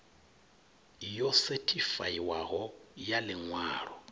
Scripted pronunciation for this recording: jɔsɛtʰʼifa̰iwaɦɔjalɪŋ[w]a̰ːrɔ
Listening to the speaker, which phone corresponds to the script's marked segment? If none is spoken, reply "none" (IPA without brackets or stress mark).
w